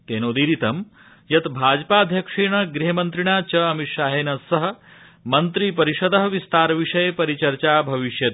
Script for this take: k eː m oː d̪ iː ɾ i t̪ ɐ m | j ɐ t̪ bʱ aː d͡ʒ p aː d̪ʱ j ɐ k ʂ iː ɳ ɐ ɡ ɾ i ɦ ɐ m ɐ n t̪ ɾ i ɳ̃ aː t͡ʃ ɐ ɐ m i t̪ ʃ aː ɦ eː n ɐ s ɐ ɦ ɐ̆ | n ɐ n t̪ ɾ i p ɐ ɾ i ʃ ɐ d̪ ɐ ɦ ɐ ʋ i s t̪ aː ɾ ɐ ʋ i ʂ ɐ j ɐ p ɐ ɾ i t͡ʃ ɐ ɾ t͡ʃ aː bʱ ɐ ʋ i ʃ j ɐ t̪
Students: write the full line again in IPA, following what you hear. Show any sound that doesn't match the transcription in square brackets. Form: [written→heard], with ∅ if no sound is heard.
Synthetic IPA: k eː [m→n] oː d̪ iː ɾ i t̪ ɐ m | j ɐ t̪ bʱ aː d͡ʒ p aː d̪ʱ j ɐ k ʂ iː ɳ ɐ ɡ ɾ i ɦ ɐ m ɐ n t̪ ɾ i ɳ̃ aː t͡ʃ ɐ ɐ m i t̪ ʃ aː ɦ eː n ɐ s ɐ ɦ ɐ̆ | [n→m] ɐ n t̪ ɾ i p ɐ ɾ i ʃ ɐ d̪ ɐ ɦ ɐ ʋ i s t̪ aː ɾ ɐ ʋ i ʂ ɐ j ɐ p ɐ ɾ i t͡ʃ ɐ ɾ t͡ʃ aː bʱ ɐ ʋ i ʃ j ɐ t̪